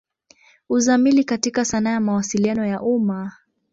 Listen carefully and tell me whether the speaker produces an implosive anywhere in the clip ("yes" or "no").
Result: no